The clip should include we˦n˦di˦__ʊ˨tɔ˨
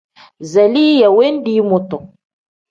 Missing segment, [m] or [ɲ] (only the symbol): m